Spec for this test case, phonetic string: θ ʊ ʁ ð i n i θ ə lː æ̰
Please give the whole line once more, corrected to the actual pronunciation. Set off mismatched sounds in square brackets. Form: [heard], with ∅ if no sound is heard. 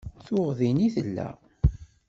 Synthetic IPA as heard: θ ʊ ʁ ð i n i θ ə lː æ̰